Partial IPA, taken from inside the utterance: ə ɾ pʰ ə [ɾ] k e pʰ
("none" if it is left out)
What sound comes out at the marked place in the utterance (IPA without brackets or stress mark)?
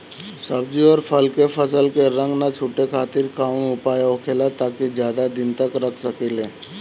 l